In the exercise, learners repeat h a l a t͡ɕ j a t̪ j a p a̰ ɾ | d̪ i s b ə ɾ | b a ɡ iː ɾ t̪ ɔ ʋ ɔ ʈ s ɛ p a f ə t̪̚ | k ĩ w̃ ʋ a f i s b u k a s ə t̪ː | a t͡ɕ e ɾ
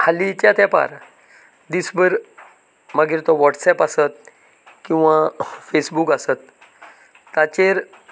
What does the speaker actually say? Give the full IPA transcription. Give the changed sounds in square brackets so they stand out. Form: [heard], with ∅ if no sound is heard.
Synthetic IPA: h a l [i] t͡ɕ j a t̪ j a p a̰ ɾ | d̪ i s b ə ɾ | [m] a ɡ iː ɾ t̪ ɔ ʋ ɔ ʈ s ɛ p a [s] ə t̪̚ | k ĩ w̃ ʋ a f [e] s b u k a s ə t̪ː | a t͡ɕ e ɾ